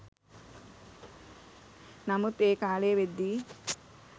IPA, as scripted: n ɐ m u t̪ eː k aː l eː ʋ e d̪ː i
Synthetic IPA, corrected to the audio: n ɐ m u t̪ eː k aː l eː ʋ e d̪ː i